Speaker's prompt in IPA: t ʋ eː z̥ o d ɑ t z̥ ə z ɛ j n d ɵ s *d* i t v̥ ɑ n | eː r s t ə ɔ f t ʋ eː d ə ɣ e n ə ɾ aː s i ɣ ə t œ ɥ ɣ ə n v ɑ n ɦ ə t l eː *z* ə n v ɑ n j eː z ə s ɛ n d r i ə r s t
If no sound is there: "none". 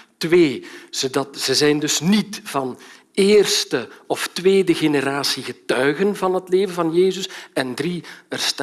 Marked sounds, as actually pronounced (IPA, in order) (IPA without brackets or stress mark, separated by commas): n, v